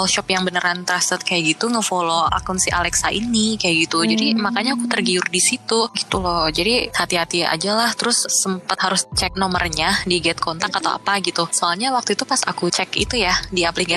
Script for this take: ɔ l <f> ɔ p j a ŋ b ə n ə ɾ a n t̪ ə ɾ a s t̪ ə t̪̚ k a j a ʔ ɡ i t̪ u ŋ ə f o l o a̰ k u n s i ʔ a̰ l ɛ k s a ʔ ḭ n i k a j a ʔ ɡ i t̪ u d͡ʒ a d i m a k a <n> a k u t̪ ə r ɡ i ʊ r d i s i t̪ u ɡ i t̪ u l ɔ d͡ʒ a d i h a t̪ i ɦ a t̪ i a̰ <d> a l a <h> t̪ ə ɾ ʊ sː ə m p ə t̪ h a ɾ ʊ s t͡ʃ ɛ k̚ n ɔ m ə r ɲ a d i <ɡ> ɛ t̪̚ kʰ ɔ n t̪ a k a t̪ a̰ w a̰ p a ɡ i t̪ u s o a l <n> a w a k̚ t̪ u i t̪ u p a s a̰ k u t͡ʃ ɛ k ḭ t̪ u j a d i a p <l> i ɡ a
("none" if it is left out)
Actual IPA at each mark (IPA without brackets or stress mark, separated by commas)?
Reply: ʃ, ɲ, d͡ʒ, h, ɡ, ɲ, l